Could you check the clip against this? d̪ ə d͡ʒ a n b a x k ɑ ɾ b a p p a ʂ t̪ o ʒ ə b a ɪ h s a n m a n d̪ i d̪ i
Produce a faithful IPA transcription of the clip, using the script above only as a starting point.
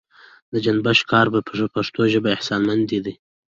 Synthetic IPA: d̪ ə d͡ʒ a n b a ʃ k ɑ ɾ b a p p a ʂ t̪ o ʒ ə b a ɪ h s ɑ n m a n d̪ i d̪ i